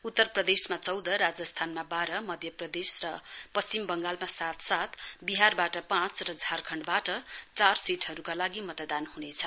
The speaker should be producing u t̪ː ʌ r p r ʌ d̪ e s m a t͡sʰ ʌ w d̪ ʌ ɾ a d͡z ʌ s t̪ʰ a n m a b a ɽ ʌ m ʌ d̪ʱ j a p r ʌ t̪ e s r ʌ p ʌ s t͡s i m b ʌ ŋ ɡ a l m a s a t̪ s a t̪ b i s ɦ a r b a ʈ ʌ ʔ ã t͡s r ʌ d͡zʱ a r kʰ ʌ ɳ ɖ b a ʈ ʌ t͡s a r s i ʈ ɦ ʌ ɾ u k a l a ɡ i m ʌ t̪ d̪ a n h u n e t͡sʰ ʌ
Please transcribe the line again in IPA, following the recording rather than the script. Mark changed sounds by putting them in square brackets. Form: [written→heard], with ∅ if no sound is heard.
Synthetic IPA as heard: u t̪ː ʌ r p r ʌ d̪ e s m a [t͡sʰ→t͡s] ʌ w d̪ ʌ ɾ a d͡z ʌ s t̪ʰ a n m a b a [ɽ→ɾ] ʌ m ʌ d̪ʱ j [a→ʌ] p r ʌ [t̪→d̪] e s r ʌ p ʌ s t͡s i m b ʌ ŋ ɡ a l m a s a t̪ s a t̪ b i [s→∅] ɦ a r b a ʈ ʌ [ʔ→p] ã t͡s r ʌ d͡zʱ a r kʰ ʌ ɳ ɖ b a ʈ ʌ t͡s a r s i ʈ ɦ ʌ ɾ u k a l a ɡ i m ʌ t̪ d̪ a n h u n e t͡sʰ ʌ